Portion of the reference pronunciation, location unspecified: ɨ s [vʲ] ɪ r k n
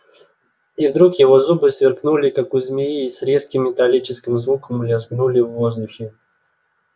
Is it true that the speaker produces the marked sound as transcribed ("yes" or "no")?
yes